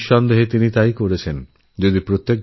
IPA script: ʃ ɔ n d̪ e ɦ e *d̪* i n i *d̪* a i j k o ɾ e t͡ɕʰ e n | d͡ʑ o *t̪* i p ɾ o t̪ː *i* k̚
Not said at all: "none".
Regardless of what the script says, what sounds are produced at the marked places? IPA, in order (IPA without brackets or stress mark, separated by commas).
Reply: t̪, t̪, d̪, e